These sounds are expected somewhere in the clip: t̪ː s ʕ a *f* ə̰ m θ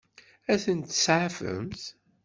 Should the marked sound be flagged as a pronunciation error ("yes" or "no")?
no